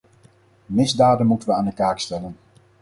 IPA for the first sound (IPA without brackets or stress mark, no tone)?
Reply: m